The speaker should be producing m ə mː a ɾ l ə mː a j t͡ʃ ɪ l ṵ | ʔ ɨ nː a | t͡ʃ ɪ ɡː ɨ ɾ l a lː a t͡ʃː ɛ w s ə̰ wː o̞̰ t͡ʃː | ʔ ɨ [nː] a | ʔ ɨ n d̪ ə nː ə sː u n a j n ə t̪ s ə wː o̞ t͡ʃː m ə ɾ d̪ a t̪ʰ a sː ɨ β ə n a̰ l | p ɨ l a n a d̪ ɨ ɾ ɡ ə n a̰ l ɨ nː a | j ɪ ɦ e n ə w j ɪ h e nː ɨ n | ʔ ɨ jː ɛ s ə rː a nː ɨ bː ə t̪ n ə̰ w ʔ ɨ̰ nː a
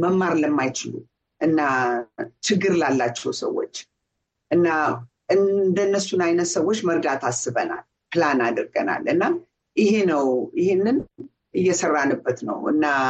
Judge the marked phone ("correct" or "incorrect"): correct